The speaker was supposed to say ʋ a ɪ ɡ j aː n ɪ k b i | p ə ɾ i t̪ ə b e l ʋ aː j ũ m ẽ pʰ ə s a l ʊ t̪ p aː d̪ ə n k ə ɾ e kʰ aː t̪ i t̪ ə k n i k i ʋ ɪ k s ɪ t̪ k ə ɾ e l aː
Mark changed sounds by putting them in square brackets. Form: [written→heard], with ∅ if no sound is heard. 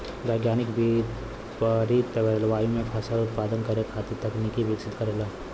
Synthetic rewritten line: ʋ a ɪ ɡ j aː n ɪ k b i | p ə ɾ i t̪ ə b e l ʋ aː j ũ m ẽ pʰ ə s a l ʊ t̪ p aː d̪ ə n k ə ɾ e kʰ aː t̪ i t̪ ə k n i k i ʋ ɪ k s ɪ t̪ k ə ɾ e l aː